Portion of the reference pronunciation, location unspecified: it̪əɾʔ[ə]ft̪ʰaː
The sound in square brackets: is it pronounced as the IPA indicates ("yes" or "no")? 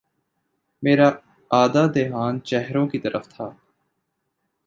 yes